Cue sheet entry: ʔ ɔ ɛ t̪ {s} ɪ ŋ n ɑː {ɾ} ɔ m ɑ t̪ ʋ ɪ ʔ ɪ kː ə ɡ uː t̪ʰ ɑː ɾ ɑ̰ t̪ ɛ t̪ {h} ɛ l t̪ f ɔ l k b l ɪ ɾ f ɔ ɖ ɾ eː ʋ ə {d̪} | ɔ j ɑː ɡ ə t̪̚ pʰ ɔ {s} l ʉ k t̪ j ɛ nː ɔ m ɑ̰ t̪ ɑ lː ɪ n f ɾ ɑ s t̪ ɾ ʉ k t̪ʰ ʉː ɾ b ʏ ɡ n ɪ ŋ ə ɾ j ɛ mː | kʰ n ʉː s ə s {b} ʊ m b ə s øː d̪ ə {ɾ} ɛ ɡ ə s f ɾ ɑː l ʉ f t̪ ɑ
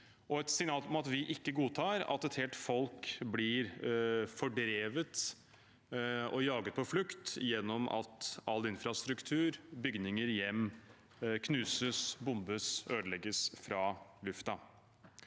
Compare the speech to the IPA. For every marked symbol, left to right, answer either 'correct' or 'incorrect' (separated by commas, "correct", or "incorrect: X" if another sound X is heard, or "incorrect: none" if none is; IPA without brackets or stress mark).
correct, incorrect: l, correct, incorrect: t̪, incorrect: f, correct, incorrect: l